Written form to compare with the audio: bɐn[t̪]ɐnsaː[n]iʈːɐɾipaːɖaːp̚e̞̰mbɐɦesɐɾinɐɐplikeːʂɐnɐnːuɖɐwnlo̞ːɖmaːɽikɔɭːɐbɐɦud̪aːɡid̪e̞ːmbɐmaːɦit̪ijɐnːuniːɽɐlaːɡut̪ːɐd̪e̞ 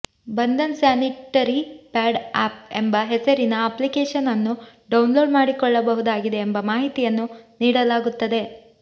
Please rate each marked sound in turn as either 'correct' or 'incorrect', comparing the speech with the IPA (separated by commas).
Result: incorrect, correct